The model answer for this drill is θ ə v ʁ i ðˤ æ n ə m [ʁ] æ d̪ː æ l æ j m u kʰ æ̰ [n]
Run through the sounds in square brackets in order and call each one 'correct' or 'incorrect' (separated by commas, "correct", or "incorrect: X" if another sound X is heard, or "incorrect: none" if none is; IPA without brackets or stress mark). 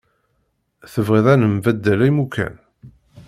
incorrect: v, correct